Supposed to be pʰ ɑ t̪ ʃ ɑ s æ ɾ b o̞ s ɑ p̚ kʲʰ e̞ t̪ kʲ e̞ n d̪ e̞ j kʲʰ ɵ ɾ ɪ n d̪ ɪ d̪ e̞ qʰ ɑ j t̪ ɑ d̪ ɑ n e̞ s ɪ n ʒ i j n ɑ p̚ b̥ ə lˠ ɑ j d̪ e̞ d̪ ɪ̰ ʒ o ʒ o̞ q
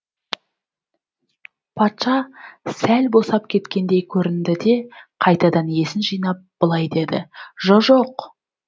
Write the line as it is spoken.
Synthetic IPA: pʰ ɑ t̪ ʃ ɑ s æ l b o̞ s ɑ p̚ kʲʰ e̞ t̪ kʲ e̞ n d̪ e̞ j kʲʰ ɵ ɾ ɪ n d̪ ɪ d̪ e̞ qʰ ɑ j t̪ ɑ d̪ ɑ n e̞ s ɪ n ʒ i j n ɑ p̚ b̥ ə lˠ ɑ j d̪ e̞ d̪ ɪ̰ ʒ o ʒ o̞ q